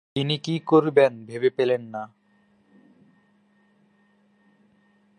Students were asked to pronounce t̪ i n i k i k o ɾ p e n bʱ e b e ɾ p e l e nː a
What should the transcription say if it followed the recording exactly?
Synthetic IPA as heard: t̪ i n i k i k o ɾ b e n bʱ e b e p e l e nː a